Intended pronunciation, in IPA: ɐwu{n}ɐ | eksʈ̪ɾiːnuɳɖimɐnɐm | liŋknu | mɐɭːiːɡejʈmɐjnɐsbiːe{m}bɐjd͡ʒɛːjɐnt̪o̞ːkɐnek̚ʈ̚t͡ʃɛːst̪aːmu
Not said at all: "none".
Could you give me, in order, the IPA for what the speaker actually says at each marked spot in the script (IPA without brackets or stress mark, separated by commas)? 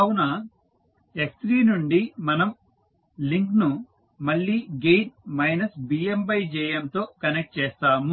n, m